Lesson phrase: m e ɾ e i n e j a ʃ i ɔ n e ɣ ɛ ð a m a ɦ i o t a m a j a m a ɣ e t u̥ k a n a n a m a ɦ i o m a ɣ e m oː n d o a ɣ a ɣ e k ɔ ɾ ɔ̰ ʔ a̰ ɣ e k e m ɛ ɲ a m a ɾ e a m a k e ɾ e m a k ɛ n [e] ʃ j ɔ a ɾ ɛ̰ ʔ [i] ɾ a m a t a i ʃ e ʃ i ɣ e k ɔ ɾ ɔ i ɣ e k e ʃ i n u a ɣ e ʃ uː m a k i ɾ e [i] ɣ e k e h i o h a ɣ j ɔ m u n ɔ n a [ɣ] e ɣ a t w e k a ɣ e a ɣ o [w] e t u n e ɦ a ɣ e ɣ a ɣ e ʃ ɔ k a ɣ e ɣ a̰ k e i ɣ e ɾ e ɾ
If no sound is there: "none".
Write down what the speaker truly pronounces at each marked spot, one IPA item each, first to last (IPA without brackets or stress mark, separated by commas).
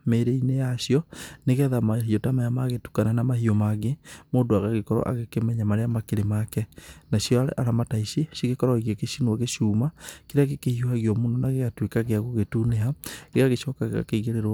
a, a, a, ɣ, ɣ